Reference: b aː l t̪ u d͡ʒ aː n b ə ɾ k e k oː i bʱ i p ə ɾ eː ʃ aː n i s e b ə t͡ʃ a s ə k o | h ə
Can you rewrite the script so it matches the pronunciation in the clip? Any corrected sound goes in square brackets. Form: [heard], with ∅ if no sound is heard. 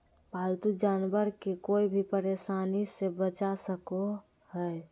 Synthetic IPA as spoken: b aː l t̪ u d͡ʒ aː n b ə ɾ k e k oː i bʱ i p ə ɾ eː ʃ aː n i s e b ə t͡ʃ a s ə k o | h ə